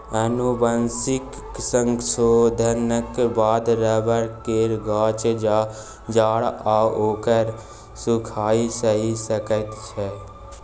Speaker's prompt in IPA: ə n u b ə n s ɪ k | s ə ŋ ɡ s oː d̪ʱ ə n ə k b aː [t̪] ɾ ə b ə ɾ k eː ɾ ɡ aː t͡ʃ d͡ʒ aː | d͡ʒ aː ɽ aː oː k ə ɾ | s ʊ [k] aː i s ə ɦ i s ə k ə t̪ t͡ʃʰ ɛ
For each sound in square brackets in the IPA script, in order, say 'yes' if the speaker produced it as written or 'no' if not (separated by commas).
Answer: no, no